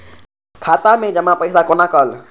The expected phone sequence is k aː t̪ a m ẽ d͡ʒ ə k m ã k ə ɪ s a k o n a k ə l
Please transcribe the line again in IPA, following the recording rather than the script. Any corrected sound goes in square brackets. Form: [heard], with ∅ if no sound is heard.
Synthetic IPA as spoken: [kʰ] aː t̪ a m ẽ d͡ʒ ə [∅] m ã [p] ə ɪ s a k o n a k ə l